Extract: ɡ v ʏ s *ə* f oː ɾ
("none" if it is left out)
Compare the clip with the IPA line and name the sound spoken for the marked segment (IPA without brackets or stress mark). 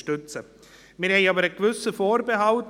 ə